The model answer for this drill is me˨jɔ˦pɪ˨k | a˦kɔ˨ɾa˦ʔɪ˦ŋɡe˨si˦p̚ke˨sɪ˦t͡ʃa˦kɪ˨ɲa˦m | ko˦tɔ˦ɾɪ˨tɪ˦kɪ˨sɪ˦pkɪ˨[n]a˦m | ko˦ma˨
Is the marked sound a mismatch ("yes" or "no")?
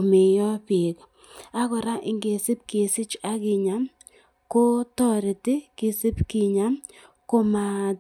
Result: yes